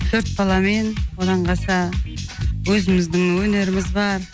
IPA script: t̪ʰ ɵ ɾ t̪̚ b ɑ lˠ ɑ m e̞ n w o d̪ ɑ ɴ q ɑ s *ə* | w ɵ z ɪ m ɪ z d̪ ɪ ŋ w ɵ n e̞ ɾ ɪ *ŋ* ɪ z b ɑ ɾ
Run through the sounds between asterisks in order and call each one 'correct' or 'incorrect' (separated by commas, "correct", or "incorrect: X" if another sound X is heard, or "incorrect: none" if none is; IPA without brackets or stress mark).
incorrect: ɑ, incorrect: m